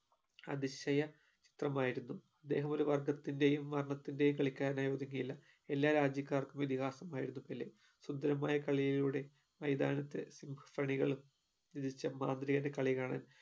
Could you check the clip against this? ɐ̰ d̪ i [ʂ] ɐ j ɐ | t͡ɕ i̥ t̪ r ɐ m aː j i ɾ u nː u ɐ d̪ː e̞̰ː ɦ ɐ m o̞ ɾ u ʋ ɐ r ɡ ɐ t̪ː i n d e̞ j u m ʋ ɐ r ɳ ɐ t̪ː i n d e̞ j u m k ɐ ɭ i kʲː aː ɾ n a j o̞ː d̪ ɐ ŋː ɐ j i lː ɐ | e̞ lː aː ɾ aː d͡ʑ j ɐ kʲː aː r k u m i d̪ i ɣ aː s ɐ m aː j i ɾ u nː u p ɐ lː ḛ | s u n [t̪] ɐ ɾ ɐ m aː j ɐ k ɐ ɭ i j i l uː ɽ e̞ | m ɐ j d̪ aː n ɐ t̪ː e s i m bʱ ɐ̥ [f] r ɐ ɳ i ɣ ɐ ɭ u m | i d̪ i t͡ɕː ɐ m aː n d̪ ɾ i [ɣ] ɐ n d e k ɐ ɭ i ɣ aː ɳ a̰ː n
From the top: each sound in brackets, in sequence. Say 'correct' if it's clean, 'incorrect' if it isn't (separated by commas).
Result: incorrect, incorrect, correct, correct